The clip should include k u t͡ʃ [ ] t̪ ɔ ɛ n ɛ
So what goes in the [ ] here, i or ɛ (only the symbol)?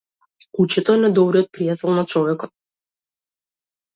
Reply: ɛ